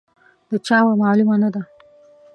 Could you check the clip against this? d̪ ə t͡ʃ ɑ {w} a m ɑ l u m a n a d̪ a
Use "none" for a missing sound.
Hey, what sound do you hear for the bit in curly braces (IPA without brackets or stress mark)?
w